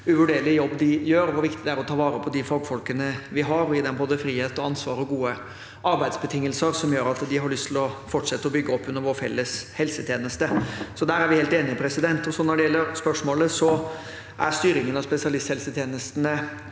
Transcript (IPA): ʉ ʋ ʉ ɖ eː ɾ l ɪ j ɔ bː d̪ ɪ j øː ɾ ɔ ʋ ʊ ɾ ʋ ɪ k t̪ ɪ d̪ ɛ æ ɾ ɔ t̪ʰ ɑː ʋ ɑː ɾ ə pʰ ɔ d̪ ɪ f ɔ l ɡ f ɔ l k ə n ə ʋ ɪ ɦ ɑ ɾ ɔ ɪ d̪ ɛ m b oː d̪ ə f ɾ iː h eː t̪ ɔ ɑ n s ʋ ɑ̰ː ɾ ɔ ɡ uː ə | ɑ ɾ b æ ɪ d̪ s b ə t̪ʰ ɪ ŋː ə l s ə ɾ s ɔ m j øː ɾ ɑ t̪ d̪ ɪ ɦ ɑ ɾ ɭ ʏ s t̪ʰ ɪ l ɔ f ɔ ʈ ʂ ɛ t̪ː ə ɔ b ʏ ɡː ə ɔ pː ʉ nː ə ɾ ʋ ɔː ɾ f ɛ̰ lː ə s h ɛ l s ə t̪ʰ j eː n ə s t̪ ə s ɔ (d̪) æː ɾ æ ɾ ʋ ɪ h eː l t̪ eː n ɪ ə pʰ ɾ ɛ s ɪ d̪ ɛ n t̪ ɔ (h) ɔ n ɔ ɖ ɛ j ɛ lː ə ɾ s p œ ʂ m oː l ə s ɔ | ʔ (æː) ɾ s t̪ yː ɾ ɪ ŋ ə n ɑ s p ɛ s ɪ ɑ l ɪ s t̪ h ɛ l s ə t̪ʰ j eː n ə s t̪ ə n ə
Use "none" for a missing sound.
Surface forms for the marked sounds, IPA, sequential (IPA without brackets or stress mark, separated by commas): d̪, s, æ